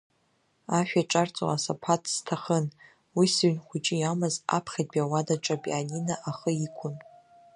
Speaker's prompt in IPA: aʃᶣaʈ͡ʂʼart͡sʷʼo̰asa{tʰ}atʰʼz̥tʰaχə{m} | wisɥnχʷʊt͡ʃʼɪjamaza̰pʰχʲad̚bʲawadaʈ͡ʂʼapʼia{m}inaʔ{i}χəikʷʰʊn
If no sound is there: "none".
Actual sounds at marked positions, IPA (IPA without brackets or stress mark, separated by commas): pʰ, n, n, a